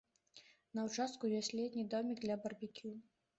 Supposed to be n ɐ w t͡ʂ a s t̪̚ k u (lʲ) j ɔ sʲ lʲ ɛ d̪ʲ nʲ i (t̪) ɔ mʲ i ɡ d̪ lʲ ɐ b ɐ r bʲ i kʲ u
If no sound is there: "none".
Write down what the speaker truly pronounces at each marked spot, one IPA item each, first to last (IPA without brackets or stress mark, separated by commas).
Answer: none, d̪